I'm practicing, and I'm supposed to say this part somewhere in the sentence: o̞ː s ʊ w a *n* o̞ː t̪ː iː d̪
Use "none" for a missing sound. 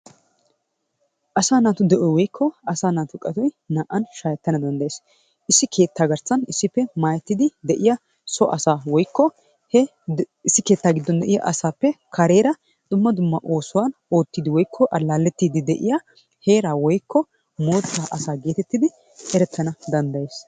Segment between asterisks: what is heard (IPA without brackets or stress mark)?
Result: n